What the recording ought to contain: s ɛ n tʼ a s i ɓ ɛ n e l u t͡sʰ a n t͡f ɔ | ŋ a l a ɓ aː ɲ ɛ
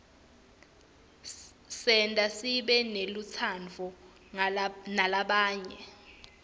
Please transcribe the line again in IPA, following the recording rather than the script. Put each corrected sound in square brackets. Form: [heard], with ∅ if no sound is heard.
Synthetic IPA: s ɛ n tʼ a s i ɓ ɛ n e l u t͡sʰ a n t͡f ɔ | [n] a l a ɓ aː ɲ ɛ